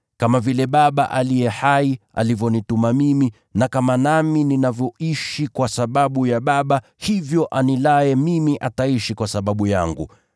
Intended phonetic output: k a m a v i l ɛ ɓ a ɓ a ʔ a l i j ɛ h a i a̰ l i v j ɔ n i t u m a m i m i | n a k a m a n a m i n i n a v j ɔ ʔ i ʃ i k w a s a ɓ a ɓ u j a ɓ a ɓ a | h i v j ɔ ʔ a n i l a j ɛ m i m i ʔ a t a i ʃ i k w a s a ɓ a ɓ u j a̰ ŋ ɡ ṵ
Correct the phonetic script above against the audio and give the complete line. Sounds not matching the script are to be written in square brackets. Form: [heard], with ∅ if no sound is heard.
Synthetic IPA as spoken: k a m a v i l ɛ ɓ a ɓ a ʔ a l i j ɛ h a i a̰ l i v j ɔ n i t u m a m i m i | n a k a m a n a m i n i n a v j ɔ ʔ i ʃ i k w a s a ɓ a ɓ u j a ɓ a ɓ a | h i v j ɔ ʔ a n i l a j ɛ m i m i ʔ a t a i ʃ i k w a s a ɓ a ɓ u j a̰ ŋ ɡ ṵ